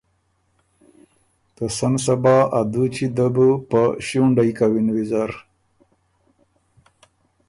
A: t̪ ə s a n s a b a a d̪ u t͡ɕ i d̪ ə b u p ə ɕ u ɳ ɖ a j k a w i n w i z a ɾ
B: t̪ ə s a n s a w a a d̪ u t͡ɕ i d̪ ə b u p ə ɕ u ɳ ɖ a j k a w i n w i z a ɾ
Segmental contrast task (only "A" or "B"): A